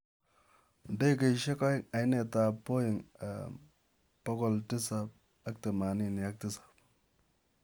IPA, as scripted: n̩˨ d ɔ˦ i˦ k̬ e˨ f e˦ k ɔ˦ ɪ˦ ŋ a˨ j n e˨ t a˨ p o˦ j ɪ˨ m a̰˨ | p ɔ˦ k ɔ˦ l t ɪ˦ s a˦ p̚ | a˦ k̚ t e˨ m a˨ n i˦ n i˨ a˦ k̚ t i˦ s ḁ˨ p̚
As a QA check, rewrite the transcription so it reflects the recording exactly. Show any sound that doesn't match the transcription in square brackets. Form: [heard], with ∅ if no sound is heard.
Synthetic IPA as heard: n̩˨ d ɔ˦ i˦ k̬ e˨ [ʃ] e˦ k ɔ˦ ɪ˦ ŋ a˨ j n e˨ t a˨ p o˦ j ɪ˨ [ŋ] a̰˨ | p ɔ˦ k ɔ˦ l t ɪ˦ s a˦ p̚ | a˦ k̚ t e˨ m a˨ n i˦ n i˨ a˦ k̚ t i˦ s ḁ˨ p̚